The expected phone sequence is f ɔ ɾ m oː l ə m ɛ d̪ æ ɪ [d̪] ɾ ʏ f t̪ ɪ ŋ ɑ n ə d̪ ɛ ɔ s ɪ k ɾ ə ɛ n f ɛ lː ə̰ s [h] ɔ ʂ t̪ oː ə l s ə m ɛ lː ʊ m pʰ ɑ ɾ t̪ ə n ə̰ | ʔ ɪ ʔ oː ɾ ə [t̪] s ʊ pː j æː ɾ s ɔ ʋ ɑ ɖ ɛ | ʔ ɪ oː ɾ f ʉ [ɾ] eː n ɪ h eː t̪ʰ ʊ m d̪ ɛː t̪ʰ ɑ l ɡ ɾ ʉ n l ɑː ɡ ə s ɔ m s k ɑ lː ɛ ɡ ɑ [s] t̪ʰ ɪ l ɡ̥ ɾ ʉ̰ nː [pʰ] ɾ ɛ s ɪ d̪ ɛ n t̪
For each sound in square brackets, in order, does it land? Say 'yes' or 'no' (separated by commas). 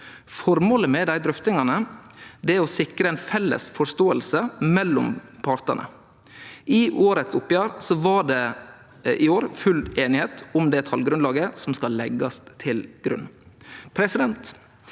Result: yes, no, yes, no, yes, yes